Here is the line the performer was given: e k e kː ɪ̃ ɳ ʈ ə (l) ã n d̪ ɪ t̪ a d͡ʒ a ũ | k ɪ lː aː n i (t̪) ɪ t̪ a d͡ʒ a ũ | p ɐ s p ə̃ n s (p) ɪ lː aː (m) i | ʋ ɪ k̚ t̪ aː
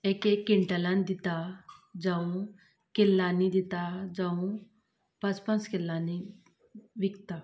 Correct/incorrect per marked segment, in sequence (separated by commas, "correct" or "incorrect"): correct, incorrect, incorrect, incorrect